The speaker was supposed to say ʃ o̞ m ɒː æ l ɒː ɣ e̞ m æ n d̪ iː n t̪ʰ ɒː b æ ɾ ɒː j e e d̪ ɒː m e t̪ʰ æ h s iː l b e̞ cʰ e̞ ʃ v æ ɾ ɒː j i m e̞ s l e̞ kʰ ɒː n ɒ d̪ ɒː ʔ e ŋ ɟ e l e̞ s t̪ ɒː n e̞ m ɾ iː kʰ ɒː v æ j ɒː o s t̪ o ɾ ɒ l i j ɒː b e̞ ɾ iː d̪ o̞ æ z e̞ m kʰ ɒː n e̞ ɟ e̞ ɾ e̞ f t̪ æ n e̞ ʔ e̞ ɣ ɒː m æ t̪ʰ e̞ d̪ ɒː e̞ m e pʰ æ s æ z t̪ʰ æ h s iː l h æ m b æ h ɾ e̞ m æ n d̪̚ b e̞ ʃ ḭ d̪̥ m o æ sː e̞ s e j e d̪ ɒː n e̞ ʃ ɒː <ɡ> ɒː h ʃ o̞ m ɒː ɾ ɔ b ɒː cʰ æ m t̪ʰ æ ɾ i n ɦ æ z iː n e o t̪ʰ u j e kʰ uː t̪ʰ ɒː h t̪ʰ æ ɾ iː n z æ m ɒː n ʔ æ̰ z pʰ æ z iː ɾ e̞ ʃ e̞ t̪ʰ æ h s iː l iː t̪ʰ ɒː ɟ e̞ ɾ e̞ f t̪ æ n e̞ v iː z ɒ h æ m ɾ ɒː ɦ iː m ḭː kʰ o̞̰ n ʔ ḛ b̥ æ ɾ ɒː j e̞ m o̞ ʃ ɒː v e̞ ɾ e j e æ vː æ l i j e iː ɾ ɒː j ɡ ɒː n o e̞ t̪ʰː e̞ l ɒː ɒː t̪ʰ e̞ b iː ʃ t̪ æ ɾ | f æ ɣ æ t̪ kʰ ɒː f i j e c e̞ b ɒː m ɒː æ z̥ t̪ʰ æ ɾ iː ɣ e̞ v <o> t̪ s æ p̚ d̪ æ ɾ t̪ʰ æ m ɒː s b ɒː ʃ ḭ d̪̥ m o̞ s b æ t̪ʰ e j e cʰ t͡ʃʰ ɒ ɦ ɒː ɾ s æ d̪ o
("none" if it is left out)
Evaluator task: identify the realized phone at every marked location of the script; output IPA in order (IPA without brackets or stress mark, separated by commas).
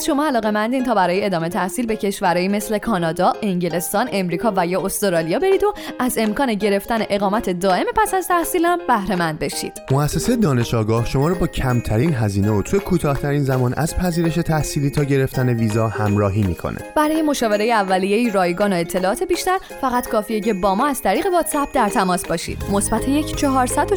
ɡ, ɒ